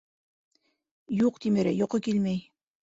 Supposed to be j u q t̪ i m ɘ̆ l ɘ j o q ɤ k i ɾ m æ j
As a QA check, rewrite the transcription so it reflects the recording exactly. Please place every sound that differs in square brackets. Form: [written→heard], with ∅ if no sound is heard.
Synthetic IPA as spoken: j u q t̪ i m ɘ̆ [l→ɾ] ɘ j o q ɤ k i [ɾ→l] m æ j